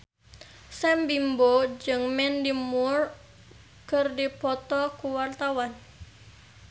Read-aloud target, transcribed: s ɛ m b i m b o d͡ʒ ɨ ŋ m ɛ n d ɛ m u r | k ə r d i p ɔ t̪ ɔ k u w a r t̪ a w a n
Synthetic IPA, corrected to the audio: s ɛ m b i m b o d͡ʒ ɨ ŋ m ɛ n d i m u r | k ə r d i p ɔ t̪ ɔ k u w a r t̪ a w a n